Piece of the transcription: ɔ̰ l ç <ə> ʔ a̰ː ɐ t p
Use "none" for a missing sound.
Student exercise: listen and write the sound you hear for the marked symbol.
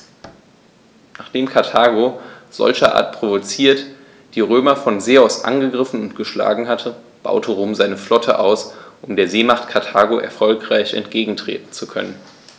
ɐ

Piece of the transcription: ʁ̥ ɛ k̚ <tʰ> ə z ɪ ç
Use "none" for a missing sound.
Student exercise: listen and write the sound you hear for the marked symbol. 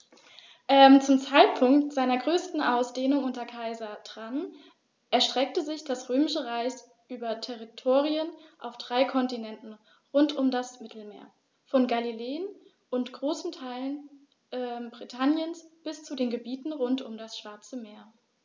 t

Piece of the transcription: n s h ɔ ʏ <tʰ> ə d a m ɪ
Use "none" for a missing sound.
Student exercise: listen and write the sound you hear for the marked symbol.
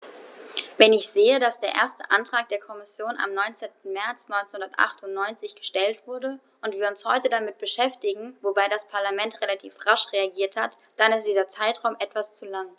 t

